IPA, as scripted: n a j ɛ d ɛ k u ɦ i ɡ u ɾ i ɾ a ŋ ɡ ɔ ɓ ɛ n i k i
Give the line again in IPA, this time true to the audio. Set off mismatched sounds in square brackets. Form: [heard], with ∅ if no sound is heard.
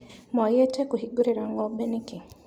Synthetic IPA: [m] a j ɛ [t] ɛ k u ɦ i ɡ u ɾ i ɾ a ŋ ɡ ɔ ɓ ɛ n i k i